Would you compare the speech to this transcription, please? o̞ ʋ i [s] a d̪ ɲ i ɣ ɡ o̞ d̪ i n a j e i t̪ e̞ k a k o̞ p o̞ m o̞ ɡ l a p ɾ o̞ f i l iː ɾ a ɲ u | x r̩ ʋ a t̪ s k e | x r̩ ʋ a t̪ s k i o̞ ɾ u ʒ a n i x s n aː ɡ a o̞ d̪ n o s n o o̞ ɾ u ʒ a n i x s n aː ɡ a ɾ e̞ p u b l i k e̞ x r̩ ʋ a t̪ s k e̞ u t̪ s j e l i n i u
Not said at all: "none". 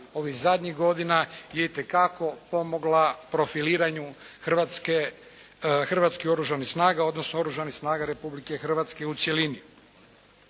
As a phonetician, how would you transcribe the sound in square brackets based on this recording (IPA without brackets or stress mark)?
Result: z